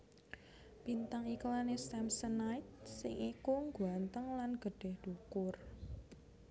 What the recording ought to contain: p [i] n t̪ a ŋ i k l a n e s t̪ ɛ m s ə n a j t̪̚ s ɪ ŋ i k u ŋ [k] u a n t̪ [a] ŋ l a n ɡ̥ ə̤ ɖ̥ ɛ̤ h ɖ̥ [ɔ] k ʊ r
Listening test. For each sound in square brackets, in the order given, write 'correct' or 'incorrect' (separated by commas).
correct, incorrect, incorrect, incorrect